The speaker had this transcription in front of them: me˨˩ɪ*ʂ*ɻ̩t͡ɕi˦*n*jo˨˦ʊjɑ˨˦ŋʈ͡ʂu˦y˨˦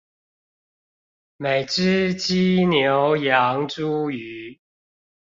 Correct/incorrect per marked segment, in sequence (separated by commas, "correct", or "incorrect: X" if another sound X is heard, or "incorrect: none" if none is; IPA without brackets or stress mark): incorrect: ʈ͡ʂ, correct